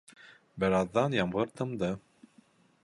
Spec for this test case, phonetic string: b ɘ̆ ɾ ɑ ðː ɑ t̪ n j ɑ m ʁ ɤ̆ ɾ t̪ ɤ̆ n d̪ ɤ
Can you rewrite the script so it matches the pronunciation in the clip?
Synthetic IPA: b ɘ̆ ɾ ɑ ðː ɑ n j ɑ m ʁ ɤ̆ ɾ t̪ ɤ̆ m d̪ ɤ

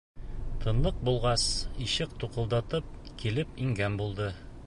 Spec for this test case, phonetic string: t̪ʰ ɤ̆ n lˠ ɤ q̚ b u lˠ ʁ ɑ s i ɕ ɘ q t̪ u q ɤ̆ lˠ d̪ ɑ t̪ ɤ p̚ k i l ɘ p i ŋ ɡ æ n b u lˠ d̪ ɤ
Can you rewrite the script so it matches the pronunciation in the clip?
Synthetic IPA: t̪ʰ ɤ̆ n lˠ ɤ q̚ b u lˠ ʁ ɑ s i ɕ ɘ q t̪ u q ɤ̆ lˠ d̪ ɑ t̪ ɤ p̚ k i l ɘ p i ŋ ɡ æ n b u lˠ d̪ ɤ

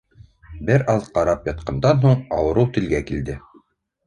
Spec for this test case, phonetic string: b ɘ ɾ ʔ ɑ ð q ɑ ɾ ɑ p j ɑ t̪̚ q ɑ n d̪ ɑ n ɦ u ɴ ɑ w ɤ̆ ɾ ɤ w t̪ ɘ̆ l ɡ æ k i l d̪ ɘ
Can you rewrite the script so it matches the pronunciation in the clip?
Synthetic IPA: b ɘ ɾ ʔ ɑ ð q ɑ ɾ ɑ p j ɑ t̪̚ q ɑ n d̪ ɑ n ɦ u ɴ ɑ w ɤ̆ ɾ ɤ w t̪ ɘ̆ l ɡ æ k i l d̪ ɘ

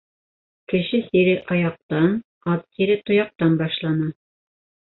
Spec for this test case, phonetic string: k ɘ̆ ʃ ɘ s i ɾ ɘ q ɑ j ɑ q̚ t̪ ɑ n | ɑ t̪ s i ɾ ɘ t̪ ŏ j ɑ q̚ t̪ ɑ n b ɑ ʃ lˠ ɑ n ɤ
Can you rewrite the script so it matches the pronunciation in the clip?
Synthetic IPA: k ɘ̆ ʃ ɘ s i ɾ ɘ ʔ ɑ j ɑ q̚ t̪ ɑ n | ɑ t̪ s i ɾ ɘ t̪ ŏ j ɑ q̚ t̪ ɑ n b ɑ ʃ lˠ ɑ n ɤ

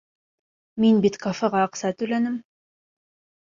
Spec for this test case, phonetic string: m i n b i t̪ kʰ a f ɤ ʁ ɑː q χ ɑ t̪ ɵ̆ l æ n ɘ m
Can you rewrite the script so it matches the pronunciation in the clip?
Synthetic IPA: m i n b i t̪ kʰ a f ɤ ʁ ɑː q s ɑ t̪ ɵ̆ l æ n ɘ m

